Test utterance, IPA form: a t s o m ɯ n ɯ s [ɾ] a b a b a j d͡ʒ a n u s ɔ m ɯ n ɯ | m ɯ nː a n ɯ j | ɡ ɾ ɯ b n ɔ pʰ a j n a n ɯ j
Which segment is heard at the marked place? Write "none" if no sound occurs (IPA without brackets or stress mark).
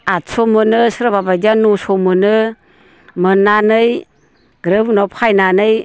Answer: ɾ